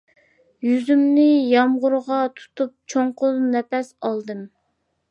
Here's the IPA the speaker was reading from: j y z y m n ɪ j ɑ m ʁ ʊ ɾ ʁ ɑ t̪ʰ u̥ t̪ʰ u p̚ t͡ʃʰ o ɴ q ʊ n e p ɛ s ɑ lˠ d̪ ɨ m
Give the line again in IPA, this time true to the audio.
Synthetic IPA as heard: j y z y m n ɪ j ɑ m ʁ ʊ ɾ ʁ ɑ t̪ʰ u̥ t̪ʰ u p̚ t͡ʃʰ o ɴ q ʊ n ɛ p ɛ s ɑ lˠ d̪ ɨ m

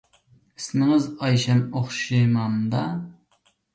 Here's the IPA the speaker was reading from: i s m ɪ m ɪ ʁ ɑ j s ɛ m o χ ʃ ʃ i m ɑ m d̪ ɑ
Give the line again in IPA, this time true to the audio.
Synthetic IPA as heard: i s m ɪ ŋ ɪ z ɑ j ʃ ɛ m o χ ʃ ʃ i m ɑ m d̪ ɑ

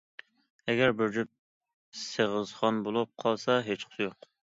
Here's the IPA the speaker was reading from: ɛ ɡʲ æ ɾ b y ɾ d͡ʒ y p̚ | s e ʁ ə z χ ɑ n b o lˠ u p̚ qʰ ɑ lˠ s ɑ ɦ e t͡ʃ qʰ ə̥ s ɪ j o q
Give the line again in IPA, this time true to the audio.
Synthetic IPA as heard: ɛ ɡʲ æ ɾ b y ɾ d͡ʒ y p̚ | s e ʁ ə z χ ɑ n b o lˠ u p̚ qʰ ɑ lˠ s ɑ ɦ e t͡ʃ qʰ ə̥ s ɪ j o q

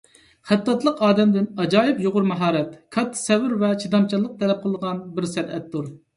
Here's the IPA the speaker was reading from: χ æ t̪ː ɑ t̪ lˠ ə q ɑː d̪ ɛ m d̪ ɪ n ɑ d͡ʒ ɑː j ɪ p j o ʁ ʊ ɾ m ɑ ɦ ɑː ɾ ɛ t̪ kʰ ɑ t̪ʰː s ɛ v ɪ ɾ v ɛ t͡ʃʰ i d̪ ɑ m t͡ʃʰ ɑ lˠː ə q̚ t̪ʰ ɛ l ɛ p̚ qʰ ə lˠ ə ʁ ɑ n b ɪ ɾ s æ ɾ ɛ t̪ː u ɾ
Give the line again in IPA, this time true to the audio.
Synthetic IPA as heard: χ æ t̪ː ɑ t̪ lˠ ə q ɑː d̪ ɛ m d̪ ɪ n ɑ d͡ʒ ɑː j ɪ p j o ʁ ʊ ɾ m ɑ ɦ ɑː ɾ ɛ t̪ kʰ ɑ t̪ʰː s ɛ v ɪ ɾ v ɛ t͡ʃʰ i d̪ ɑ m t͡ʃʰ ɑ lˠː ə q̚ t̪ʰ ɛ l ɛ p̚ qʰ ə lˠ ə ʁ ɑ n b ɪ ɾ s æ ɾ ɛ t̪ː u ɾ

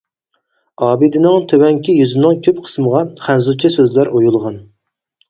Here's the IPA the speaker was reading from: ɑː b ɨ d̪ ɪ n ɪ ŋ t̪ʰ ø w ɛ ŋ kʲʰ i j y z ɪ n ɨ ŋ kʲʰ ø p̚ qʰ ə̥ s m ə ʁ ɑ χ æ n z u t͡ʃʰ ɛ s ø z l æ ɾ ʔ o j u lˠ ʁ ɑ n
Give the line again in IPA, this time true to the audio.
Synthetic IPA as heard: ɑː b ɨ d̪ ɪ n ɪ ŋ t̪ʰ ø w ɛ ŋ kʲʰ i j y z ɪ n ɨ ŋ kʲʰ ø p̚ qʰ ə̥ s m ə ʁ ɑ χ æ n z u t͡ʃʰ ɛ s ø z l æ ɾ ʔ o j u lˠ ʁ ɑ n

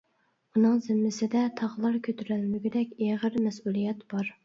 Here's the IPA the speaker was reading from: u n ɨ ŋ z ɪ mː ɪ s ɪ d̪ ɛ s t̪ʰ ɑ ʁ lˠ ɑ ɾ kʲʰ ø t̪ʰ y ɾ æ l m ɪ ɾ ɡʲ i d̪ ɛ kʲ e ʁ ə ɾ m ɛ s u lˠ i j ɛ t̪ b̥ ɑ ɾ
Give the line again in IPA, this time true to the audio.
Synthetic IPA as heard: u n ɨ ŋ z ɪ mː ɪ s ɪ d̪ ɛ t̪ʰ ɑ ʁ lˠ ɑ ɾ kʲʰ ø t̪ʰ y ɾ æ l m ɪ ɡʲ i d̪ ɛ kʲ e ʁ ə ɾ m ɛ s u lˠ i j ɛ t̪ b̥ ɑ ɾ

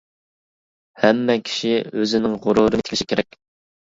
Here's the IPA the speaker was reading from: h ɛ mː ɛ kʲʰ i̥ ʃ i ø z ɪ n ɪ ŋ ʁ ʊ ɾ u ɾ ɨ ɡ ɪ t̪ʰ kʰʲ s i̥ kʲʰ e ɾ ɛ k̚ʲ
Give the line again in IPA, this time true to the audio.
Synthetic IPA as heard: h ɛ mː ɛ kʲʰ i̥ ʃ i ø z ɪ n ɪ ŋ ʁ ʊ ɾ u ɾ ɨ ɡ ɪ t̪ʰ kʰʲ ʃ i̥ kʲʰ e ɾ ɛ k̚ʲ

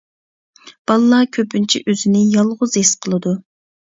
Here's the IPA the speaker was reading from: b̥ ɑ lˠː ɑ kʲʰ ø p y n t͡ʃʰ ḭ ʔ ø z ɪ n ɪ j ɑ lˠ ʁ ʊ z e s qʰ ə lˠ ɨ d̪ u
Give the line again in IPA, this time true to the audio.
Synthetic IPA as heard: b̥ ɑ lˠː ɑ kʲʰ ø p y n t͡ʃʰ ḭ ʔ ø z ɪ n ɪ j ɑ lˠ ʁ ʊ z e s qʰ ə lˠ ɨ d̪ u

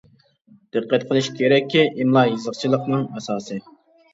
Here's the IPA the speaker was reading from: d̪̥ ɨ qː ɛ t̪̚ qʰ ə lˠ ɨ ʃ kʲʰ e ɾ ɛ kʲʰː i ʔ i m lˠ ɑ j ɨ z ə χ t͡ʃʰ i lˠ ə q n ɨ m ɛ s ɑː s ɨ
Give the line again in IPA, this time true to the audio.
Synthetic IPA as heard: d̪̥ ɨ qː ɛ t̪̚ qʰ ə lˠ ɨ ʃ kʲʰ e ɾ ɛ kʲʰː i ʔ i m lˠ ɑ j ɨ z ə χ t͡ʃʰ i lˠ ə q n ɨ ŋ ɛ s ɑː s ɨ

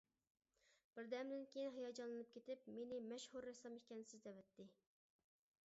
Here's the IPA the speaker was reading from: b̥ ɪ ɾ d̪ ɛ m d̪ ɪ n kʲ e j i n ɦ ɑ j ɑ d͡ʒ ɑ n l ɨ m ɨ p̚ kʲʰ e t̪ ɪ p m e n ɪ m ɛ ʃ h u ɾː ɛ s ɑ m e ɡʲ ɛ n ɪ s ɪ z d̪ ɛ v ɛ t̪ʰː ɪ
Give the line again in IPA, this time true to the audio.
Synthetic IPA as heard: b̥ ɪ ɾ d̪ ɛ m d̪ ɪ n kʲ e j i n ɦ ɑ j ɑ d͡ʒ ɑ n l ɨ n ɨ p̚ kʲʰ e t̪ ɪ p m e n ɪ m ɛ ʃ h u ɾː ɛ s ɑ m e kʲ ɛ n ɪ s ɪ z d̪ ɛ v ɛ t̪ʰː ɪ

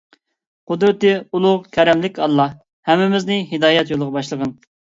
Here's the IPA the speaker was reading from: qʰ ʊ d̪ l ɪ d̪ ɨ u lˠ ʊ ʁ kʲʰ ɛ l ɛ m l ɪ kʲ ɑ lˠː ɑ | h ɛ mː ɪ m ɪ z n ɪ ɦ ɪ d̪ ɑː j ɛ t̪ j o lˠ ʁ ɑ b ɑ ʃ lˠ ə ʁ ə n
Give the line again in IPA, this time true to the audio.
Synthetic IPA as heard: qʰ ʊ d̪ ɾ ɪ t̪ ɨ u lˠ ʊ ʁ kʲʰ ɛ ɾ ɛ m l ɪ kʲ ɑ lˠː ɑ | h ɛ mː ɪ m ɪ z n ɪ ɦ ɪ d̪ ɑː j ɛ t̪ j o lˠ ʁ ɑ b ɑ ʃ lˠ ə ʁ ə n

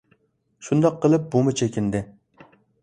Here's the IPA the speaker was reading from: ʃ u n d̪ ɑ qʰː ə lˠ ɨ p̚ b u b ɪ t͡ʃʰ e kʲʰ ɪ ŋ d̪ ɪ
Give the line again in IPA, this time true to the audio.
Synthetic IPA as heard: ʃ u n d̪ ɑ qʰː ə lˠ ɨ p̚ b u m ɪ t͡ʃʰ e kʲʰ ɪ n d̪ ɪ

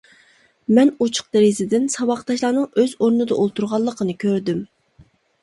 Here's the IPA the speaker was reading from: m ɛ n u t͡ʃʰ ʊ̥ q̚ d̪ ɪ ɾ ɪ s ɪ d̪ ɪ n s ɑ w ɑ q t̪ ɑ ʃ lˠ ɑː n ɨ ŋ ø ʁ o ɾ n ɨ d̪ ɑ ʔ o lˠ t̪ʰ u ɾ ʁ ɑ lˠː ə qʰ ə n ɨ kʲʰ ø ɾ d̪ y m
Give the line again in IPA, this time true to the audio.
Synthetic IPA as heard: m ɛ n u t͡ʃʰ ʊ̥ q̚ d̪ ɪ ɾ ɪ z ɪ d̪ ɪ n s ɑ w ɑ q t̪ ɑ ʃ lˠ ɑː n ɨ ŋ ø z o ɾ n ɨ d̪ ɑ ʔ o lˠ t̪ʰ u ɾ ʁ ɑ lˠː ə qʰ ə n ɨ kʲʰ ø ɾ d̪ y m

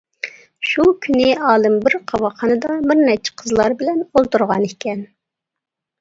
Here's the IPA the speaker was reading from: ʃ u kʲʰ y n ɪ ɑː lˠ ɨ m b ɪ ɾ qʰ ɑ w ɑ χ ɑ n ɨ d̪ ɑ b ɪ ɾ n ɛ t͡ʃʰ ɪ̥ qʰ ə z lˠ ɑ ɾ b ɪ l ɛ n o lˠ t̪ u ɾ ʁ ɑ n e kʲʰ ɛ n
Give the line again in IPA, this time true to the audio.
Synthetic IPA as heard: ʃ u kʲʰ y n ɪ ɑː lˠ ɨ m b ɪ ɾ qʰ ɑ w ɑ χ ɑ n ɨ d̪ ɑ b ɪ ɾ n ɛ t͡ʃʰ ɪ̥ qʰ ə z lˠ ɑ ɾ b ɪ l ɛ n o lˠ t̪ u ɾ ʁ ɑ n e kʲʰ ɛ n

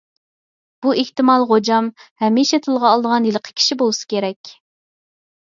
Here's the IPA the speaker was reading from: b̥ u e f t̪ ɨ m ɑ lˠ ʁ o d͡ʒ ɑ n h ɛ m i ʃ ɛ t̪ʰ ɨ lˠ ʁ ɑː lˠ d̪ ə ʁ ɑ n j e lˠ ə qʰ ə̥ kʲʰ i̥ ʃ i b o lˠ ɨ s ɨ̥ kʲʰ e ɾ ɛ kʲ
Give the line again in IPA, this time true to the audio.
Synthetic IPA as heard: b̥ u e h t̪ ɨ m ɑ lˠ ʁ o d͡ʒ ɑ m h ɛ m i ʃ ɛ t̪ʰ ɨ lˠ ʁ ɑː lˠ d̪ ə ʁ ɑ n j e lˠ ə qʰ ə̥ kʲʰ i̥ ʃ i b o lˠ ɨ s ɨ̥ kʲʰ e ɾ ɛ kʲ

